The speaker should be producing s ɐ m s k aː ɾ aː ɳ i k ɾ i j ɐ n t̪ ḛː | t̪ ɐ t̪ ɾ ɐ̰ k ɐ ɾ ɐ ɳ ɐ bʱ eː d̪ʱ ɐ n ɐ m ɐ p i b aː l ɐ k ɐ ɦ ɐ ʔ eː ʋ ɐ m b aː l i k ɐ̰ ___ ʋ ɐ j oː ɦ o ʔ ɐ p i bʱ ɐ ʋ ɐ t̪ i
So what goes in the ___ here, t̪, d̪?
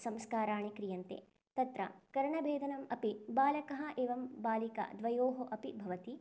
d̪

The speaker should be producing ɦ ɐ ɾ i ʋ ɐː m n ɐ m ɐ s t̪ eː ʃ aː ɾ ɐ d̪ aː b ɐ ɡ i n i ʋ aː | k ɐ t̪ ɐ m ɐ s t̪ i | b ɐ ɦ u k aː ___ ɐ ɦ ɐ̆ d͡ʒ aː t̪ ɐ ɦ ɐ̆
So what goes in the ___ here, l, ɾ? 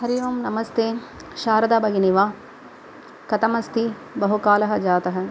l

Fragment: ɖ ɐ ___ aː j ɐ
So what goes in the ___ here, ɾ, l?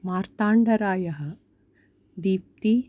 ɾ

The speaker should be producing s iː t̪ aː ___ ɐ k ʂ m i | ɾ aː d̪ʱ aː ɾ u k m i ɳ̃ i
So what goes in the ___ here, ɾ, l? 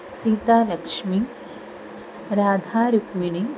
l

